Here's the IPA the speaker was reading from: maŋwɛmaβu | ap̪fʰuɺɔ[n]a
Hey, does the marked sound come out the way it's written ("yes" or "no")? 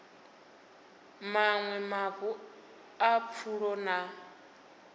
yes